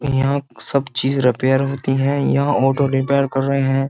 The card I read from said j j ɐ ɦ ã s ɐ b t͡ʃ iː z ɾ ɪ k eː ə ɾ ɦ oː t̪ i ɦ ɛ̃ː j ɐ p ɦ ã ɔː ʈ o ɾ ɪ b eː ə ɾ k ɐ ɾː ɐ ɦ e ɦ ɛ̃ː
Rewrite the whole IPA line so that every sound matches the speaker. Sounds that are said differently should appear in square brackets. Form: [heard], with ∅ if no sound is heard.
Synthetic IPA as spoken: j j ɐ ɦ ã s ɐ b t͡ʃ iː z ɾ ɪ [p] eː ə ɾ ɦ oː t̪ i ɦ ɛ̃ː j ɐ [∅] ɦ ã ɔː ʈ o ɾ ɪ [p] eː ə ɾ k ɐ ɾː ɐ ɦ e ɦ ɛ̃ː